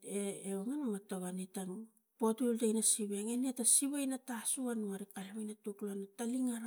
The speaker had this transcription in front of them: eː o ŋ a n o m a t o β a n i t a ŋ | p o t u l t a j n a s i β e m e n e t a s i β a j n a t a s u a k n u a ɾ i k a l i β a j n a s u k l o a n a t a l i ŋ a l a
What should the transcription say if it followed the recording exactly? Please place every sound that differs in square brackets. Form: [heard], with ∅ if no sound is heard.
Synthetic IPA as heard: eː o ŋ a n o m a t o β a n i t a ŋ | p o t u l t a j n a s i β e [ŋ] e n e t a s i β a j n a t a s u a [∅] n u a ɾ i k a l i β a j n a [t] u k l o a n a t a l i ŋ a [ɾ] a